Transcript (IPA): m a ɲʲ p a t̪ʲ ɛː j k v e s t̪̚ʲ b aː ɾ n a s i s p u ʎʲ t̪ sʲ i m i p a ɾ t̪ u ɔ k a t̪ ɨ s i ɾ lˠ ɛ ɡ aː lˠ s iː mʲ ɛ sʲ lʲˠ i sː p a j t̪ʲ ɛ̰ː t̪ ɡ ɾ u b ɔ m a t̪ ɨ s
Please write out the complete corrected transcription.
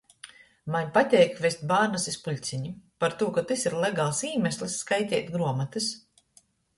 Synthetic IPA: m a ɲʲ p a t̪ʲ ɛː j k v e s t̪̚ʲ b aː ɾ n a s i s p u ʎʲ t̪ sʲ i ɲ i p a ɾ t̪ u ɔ k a t̪ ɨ s i ɾ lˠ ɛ ɡ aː lˠ s iː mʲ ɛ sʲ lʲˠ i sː k a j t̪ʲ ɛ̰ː t̪ ɡ ɾ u ɔ m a t̪ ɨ s